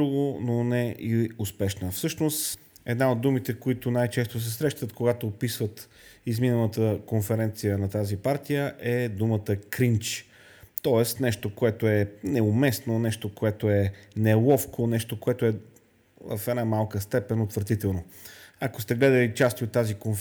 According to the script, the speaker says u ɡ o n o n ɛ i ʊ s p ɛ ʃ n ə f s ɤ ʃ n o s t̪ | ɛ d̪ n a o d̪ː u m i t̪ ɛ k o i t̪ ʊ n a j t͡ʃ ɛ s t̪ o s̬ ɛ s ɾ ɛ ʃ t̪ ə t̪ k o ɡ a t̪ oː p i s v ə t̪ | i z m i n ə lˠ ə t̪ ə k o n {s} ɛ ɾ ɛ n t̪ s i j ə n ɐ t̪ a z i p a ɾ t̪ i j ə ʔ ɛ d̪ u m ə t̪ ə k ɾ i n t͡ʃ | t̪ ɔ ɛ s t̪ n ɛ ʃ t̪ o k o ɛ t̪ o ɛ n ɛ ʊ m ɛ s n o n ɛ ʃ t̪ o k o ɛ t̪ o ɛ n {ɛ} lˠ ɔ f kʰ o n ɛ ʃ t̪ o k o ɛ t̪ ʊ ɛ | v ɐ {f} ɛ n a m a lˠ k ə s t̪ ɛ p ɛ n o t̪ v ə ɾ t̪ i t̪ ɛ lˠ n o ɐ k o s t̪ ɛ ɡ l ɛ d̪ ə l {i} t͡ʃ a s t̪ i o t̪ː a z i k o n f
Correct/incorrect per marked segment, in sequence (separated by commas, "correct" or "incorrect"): incorrect, correct, correct, correct